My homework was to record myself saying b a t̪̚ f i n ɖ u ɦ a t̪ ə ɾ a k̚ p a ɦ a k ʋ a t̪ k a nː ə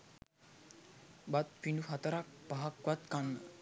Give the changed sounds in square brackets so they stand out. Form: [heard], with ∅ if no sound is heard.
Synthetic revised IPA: b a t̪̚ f i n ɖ u ɦ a t̪ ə ɾ a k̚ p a ɦ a k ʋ a t̪ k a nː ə